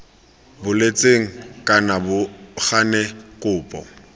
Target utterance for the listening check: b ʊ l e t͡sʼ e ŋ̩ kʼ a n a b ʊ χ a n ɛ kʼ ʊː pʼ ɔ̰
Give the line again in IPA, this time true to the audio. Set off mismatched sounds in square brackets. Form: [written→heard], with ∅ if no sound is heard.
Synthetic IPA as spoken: b ʊ l e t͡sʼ e ŋ̩ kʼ a n a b ʊ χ a n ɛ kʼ ʊː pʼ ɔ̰